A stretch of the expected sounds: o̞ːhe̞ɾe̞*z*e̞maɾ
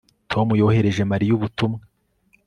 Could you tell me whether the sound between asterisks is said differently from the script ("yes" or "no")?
yes